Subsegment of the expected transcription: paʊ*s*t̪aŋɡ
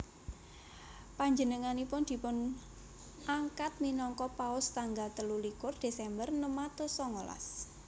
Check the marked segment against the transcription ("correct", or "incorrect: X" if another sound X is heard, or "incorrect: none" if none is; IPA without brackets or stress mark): correct